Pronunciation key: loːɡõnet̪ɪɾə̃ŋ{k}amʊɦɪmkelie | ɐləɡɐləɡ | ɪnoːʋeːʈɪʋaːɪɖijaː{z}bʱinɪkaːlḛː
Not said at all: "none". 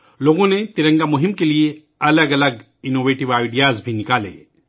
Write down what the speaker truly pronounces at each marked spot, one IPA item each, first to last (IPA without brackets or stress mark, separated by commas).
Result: ɡ, z